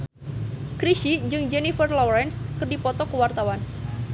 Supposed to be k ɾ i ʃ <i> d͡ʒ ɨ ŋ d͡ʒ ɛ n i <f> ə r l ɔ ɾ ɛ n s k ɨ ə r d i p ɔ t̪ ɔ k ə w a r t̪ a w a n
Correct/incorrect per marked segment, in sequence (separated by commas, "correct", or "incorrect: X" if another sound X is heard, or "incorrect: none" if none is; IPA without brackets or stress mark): correct, correct